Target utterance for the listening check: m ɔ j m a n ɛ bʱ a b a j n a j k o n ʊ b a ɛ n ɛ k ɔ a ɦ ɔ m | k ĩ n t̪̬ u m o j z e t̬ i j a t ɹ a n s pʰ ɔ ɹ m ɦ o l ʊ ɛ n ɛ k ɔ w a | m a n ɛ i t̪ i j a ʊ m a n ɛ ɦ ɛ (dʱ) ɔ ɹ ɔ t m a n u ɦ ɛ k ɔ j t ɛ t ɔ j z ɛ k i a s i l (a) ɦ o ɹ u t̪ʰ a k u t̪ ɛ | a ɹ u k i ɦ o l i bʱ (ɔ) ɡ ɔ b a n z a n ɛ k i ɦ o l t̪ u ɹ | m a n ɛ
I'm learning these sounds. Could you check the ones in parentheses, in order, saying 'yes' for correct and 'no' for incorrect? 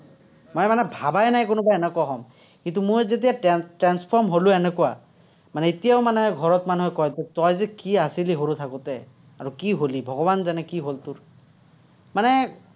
no, no, yes

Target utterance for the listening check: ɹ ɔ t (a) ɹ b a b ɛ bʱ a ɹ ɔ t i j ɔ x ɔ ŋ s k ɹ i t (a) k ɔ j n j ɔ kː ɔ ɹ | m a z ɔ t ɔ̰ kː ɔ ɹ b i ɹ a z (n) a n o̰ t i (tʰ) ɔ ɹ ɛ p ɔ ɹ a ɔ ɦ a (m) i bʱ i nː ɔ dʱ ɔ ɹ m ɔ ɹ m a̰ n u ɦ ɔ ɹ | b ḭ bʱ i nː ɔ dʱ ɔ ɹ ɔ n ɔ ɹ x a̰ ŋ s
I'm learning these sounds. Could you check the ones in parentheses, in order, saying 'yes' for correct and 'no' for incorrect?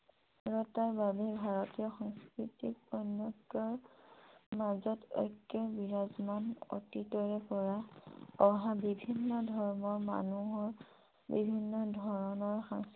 yes, no, no, no, no

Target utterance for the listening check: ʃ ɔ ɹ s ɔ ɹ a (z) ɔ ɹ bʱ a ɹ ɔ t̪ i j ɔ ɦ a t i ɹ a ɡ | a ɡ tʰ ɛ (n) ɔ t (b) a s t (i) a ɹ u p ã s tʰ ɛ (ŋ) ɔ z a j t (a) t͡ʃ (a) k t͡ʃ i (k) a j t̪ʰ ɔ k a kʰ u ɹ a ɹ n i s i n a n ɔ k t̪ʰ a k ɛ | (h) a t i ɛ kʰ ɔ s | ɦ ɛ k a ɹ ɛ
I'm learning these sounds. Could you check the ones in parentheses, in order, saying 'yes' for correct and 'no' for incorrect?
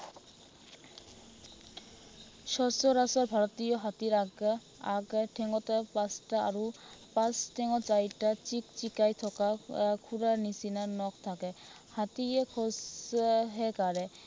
no, no, no, no, yes, yes, no, yes, yes

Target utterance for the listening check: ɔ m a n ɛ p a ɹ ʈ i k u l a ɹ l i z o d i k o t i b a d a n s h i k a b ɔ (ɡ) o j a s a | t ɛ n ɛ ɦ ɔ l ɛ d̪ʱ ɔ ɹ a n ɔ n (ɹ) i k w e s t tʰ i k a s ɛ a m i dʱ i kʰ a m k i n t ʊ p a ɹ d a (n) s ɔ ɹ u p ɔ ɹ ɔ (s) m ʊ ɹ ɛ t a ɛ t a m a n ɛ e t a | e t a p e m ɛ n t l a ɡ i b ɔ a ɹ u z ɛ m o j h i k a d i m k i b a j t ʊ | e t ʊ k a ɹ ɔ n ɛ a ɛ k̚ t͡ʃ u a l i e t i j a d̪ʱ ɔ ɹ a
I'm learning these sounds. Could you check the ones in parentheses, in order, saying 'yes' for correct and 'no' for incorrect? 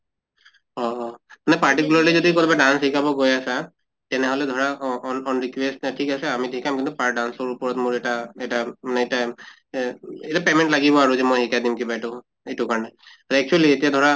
yes, yes, yes, no

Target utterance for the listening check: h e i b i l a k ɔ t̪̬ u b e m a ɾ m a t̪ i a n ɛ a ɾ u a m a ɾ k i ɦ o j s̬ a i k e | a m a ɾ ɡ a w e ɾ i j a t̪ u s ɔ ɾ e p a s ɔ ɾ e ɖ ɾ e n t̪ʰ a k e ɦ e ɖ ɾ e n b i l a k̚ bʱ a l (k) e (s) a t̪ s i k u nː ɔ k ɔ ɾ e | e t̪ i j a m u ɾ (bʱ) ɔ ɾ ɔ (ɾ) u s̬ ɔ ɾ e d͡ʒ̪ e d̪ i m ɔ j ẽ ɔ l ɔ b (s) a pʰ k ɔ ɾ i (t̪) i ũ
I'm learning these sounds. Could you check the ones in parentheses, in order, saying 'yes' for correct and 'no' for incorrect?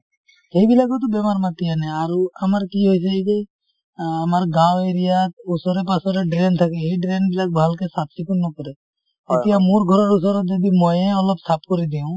yes, yes, no, yes, yes, no

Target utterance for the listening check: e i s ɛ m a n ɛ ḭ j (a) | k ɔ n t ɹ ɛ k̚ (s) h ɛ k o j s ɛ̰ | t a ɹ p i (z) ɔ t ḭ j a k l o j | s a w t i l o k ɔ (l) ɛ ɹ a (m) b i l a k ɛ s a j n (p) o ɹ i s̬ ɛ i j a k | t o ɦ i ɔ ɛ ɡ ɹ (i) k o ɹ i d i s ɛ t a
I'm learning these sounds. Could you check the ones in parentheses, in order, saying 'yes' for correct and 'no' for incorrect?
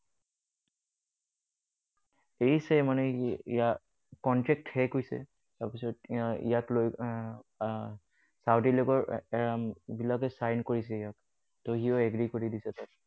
yes, no, no, no, yes, no, yes

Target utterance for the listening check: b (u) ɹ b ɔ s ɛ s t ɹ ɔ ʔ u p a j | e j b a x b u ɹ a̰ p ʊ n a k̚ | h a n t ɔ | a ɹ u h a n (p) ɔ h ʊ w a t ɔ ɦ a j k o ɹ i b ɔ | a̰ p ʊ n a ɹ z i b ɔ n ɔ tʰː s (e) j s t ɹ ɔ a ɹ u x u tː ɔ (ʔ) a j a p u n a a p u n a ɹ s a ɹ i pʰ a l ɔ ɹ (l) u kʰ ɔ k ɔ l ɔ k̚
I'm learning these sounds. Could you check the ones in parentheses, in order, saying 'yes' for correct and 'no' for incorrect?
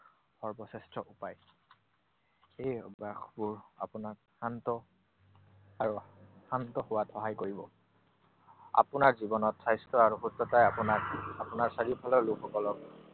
no, no, no, no, yes

